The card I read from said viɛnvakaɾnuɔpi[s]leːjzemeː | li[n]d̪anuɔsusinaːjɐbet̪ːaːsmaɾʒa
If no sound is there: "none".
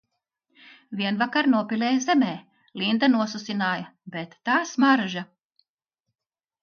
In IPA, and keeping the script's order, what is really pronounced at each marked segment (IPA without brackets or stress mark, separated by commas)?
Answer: none, n